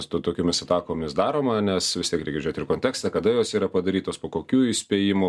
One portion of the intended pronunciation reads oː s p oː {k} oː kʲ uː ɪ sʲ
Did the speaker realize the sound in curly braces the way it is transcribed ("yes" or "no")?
yes